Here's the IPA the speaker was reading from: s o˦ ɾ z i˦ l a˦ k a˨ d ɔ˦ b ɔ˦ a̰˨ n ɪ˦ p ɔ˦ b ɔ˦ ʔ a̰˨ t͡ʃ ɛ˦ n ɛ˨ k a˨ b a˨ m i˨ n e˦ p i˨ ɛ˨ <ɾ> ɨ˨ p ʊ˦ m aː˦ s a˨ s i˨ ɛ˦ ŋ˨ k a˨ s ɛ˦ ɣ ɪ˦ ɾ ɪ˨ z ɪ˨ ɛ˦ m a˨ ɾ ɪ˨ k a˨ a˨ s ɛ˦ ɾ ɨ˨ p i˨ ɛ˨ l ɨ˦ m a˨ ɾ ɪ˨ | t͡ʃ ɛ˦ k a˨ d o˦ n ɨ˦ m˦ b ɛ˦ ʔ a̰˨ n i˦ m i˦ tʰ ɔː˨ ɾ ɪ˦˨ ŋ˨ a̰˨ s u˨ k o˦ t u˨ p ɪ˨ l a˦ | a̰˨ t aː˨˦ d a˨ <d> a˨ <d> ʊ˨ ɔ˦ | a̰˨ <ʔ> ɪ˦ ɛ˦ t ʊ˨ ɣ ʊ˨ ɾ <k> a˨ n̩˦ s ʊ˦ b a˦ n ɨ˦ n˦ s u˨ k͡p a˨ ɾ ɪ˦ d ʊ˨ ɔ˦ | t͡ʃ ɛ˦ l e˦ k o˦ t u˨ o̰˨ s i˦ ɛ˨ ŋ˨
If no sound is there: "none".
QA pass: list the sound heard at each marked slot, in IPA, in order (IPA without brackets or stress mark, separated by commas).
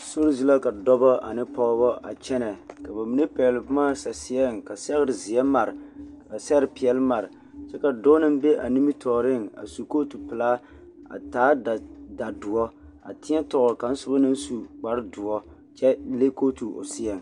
l, d, d, t, k